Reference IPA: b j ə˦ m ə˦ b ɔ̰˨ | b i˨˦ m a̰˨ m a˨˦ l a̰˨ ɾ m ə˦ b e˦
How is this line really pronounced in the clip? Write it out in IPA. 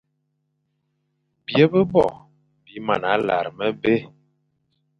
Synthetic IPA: b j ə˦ b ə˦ b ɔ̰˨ | b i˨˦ m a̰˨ n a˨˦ l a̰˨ ɾ m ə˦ b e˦

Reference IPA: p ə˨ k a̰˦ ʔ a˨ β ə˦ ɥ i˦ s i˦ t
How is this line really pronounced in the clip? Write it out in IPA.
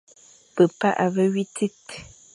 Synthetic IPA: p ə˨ p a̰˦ ʔ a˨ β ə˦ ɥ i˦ t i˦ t

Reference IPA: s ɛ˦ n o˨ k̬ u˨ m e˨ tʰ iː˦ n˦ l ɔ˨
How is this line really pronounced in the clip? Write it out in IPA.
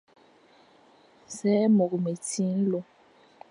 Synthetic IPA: s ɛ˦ m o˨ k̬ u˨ m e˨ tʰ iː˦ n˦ l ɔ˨

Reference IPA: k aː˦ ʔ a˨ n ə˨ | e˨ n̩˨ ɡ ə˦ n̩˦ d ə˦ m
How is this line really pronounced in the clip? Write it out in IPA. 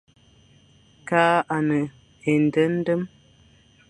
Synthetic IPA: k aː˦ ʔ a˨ n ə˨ | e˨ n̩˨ d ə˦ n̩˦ d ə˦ m

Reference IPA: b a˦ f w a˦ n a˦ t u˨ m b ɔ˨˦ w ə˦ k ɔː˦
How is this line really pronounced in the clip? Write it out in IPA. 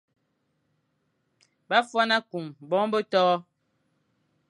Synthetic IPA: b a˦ f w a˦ n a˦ k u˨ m b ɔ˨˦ b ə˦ t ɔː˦

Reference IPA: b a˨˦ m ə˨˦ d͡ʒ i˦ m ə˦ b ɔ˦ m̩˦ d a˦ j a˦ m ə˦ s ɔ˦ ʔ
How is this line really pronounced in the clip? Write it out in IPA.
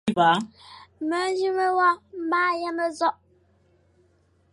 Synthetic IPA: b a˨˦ m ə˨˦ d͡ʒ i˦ m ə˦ w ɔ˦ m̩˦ b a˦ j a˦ m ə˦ z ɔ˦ ʔ

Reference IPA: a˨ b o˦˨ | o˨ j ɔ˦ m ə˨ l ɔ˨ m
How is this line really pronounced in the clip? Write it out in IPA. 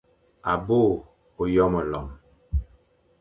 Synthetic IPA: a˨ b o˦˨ | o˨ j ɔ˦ m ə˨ l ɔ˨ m

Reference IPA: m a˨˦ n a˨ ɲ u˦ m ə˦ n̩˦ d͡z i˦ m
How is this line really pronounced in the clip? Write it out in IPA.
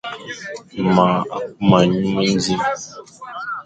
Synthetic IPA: m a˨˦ m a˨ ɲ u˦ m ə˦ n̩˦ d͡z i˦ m

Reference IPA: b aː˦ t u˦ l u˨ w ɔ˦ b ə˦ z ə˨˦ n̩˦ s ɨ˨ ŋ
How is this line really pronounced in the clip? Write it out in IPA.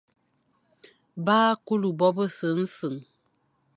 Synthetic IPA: b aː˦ k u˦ l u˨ b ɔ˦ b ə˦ s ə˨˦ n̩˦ s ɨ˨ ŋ

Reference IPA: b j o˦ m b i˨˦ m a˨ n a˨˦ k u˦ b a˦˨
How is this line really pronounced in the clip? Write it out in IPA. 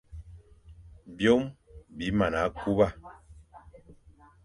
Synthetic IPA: b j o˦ m b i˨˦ m a˨ n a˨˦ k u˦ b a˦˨

